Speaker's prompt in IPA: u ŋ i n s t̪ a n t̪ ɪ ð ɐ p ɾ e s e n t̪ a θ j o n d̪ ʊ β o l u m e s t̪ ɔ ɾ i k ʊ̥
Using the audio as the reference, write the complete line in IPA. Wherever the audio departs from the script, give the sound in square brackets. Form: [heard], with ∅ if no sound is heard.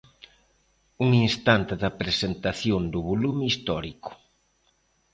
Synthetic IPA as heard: u ŋ i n s t̪ a n t̪ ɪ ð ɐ p ɾ e s e n t̪ a θ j o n d̪ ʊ β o l u m [i] s t̪ ɔ ɾ i k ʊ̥